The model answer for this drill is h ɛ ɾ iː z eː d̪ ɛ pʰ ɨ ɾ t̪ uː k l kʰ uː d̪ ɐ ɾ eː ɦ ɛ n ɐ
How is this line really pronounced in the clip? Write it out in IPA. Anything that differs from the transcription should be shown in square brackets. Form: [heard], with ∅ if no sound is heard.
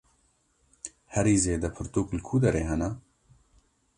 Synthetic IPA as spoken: h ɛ ɾ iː z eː d̪ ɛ pʰ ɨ ɾ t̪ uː k l kʰ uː d̪ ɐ ɾ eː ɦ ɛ n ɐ